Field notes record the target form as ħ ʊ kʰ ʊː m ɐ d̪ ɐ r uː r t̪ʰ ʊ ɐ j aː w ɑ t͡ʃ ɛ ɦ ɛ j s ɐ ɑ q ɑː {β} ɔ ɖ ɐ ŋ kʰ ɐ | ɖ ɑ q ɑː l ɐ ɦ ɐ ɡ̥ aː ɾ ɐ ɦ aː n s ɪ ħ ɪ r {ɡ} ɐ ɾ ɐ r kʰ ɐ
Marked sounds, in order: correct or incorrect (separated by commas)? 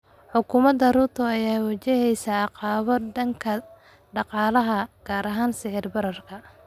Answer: correct, incorrect